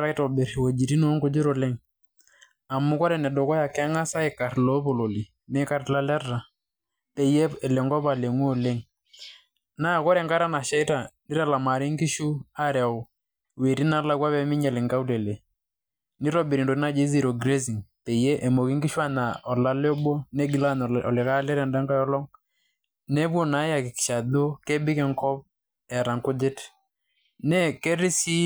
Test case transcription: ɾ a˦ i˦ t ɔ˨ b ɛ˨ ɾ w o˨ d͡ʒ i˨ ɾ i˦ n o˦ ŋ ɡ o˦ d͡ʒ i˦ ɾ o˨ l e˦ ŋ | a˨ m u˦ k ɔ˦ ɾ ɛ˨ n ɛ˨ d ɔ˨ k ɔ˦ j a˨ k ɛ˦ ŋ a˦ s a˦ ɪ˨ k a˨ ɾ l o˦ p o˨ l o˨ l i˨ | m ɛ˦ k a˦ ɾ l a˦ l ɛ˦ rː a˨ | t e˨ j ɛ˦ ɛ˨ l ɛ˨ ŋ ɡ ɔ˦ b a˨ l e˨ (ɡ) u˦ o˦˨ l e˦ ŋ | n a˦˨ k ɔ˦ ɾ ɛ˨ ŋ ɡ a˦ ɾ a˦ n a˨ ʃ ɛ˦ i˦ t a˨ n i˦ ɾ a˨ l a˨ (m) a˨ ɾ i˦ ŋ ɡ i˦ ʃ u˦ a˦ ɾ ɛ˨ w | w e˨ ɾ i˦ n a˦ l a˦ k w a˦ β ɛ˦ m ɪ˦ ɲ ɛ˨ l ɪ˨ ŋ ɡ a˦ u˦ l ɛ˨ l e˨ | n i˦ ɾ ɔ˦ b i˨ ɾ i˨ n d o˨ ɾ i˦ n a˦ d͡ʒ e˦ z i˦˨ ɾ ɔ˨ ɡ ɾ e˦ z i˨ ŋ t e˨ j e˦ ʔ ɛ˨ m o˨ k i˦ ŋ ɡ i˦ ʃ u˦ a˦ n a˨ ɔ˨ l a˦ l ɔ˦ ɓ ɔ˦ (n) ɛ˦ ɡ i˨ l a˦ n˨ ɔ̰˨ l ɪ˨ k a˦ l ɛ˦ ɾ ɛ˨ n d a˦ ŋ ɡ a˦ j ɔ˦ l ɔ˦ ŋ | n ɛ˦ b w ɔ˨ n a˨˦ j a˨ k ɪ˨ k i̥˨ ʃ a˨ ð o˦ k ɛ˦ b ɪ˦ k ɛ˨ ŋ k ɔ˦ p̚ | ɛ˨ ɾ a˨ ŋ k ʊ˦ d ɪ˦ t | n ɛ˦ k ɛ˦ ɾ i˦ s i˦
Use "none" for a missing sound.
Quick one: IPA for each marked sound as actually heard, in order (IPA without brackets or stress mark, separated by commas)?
ŋ, m, n